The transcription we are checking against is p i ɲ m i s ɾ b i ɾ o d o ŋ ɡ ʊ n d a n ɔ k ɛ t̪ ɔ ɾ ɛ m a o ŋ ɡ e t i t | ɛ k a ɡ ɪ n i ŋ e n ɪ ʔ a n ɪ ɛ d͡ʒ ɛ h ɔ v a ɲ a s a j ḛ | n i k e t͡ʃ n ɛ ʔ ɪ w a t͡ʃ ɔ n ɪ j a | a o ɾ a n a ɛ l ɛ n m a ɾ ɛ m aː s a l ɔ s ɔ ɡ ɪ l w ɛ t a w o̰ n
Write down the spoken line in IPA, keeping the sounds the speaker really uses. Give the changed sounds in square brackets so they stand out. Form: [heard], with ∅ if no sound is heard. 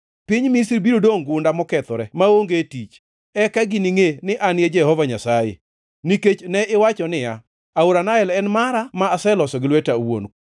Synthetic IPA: p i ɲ m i s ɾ b i ɾ o d o ŋ ɡ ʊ n d a [m] ɔ k ɛ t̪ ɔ ɾ ɛ m a o ŋ ɡ e t i [t͡ʃ] | ɛ k a ɡ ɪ n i ŋ e n ɪ ʔ a n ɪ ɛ d͡ʒ ɛ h ɔ v a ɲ a s a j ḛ | n i k e t͡ʃ n ɛ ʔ ɪ w a t͡ʃ ɔ n ɪ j a | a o ɾ a n a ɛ l ɛ n m a ɾ [a] m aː s [ɛ] l ɔ s ɔ ɡ ɪ l w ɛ t a w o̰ n

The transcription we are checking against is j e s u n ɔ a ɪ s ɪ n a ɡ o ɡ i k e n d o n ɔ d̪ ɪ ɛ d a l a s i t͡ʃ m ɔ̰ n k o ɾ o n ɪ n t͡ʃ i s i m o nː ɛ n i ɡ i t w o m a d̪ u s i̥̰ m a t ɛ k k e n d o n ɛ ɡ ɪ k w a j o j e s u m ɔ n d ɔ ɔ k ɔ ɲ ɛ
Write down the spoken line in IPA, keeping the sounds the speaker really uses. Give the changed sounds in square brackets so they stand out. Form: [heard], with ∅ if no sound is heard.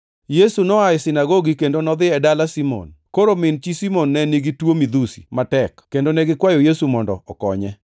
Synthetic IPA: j e s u n ɔ a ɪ s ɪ n a ɡ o ɡ i k e n d o n ɔ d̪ ɪ ɛ d a l a s i [∅] m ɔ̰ n k o ɾ o [m] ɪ n t͡ʃ i s i m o nː ɛ n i ɡ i t w o m [i] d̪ u s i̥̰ m a t ɛ k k e n d o n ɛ ɡ ɪ k w a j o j e s u m ɔ n d ɔ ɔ k ɔ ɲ ɛ

